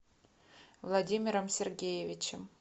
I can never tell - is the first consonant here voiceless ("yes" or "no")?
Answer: no